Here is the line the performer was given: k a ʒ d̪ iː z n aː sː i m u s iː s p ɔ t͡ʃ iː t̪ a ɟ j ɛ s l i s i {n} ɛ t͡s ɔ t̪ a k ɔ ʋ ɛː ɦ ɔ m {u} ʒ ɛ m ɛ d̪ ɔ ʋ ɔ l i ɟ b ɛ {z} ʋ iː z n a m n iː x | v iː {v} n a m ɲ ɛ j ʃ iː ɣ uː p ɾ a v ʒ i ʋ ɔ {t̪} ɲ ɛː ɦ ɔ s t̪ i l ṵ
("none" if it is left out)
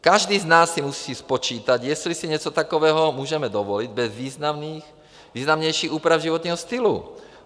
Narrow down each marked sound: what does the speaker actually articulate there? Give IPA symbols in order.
ɲ, uː, z, z, t̪

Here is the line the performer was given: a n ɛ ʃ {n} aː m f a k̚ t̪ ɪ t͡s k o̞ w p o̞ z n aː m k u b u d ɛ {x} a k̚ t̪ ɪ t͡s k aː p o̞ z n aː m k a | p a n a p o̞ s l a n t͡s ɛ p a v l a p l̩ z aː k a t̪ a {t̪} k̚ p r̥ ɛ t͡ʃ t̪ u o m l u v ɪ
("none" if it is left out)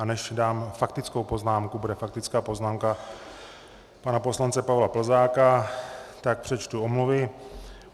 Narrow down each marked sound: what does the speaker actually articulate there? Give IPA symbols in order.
d, f, none

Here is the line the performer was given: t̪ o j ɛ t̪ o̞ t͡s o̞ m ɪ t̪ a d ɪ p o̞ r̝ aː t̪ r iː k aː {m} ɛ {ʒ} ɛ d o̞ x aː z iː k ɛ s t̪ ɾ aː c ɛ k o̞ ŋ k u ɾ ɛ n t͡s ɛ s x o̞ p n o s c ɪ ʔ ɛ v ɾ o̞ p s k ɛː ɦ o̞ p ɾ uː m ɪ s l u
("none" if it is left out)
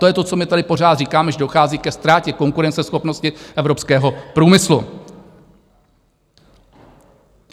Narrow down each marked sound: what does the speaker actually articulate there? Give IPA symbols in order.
m, ʒ

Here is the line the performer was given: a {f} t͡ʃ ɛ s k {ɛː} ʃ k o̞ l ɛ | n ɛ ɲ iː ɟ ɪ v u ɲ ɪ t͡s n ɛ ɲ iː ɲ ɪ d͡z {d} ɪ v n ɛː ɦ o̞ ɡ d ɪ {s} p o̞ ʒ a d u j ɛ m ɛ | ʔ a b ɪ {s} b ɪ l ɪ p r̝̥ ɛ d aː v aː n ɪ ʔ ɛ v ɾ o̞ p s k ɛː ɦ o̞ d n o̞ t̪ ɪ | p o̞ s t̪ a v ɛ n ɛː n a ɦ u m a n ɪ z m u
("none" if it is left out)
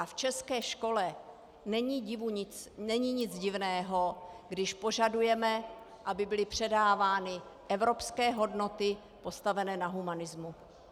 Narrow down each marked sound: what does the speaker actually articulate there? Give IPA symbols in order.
f, ɛː, ɟ, ʃ, none

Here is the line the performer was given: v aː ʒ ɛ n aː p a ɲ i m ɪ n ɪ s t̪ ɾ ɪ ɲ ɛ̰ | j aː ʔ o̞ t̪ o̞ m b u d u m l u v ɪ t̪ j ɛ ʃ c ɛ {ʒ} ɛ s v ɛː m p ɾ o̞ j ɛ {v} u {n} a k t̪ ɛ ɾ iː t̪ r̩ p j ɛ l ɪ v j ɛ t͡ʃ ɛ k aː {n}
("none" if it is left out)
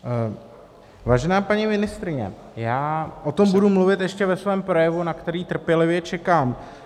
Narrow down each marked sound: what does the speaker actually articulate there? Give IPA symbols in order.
v, v, n, m

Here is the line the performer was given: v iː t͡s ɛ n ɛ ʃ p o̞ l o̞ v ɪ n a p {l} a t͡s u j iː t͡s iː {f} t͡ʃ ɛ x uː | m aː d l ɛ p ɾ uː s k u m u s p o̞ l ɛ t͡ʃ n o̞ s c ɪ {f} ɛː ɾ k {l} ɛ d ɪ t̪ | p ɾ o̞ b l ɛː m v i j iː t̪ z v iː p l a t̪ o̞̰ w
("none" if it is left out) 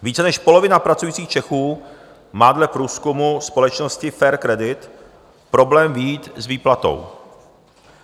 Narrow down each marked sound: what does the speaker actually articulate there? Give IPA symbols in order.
ɾ, x, f, ɾ

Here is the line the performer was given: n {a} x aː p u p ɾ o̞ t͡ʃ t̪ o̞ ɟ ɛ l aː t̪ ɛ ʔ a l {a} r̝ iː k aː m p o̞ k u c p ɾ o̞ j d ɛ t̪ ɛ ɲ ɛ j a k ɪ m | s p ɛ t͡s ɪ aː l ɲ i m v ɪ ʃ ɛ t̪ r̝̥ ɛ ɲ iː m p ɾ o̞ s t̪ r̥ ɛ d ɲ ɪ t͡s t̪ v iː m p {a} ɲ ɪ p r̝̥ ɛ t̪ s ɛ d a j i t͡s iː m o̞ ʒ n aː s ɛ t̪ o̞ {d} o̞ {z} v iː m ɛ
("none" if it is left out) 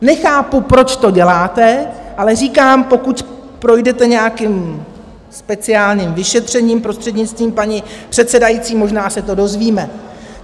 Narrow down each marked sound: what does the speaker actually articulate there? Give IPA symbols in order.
ɛ, ɛ, a, d, z

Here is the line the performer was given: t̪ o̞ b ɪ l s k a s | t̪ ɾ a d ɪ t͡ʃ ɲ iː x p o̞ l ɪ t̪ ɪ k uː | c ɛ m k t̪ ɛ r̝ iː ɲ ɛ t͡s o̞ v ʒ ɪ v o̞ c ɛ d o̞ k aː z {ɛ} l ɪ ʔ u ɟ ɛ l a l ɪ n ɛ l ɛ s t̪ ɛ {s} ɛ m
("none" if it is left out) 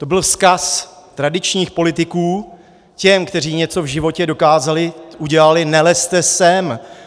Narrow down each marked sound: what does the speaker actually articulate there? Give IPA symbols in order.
a, s

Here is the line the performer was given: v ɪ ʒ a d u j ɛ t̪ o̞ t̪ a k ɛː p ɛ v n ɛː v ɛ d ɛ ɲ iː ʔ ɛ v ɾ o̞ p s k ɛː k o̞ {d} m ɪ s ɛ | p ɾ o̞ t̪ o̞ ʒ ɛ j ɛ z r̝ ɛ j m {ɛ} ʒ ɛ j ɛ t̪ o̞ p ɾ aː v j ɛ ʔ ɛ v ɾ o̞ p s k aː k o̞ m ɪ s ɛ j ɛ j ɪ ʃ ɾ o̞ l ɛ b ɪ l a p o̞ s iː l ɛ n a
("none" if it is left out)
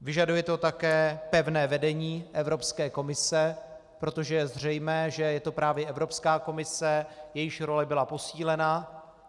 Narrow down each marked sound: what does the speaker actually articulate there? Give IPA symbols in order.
none, ɛː

